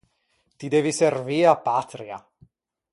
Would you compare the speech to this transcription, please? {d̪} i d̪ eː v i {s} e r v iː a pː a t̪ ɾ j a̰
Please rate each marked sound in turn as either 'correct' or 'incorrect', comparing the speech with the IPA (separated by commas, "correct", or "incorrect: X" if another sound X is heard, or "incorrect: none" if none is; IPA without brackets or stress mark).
incorrect: t̪, correct